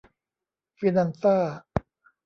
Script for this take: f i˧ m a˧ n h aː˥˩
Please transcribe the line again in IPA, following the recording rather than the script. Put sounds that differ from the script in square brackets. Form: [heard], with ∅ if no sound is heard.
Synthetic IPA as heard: f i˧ [n] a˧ n [s] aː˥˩